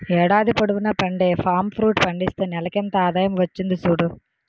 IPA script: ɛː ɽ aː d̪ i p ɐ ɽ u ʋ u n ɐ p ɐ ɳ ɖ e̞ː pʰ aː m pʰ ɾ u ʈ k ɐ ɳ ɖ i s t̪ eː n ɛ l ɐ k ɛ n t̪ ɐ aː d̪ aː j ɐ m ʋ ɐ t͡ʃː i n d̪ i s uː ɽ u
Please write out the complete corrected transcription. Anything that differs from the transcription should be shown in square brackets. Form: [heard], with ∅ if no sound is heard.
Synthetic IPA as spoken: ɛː ɽ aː d̪ i p ɐ ɽ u ʋ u n ɐ p ɐ ɳ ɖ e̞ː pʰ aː m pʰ ɾ [uː] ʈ [p] ɐ ɳ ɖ i s t̪ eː n ɛ l ɐ k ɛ n t̪ ɐ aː d̪ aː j ɐ m ʋ ɐ t͡ʃː i n d̪ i s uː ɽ u